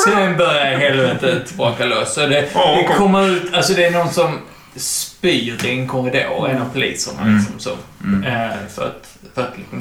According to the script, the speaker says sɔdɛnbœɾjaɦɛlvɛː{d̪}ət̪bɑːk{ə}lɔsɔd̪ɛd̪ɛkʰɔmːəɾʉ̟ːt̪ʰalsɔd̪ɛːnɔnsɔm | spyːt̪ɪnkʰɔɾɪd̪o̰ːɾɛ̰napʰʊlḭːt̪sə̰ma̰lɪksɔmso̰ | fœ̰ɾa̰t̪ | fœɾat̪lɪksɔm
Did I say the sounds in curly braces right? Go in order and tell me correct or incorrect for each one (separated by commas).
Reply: incorrect, incorrect